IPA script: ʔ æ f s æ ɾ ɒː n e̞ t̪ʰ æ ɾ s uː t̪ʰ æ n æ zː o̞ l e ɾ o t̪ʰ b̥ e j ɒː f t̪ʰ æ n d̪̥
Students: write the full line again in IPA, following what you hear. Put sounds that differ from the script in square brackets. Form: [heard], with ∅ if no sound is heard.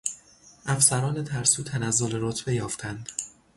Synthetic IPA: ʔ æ f s æ ɾ ɒː n e̞ t̪ʰ æ ɾ s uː t̪ʰ æ n æ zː o̞ l e ɾ o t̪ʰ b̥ e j ɒː f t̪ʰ æ n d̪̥